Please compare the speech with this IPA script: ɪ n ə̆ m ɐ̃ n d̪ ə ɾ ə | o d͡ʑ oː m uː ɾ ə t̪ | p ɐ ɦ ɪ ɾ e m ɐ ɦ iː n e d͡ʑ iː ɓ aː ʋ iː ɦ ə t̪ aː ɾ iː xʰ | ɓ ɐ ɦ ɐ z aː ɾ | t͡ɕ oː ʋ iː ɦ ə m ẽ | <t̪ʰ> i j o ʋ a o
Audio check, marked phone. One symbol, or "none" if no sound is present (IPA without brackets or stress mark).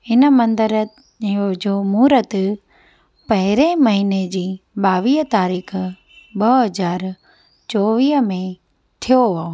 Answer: t̪ʰ